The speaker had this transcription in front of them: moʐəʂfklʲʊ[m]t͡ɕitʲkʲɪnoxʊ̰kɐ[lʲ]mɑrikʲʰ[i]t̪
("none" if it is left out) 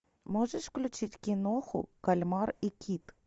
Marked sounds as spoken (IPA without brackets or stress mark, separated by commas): none, lʲ, i